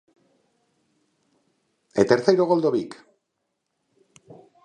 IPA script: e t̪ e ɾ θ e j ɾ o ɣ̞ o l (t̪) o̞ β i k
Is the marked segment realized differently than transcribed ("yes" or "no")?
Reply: yes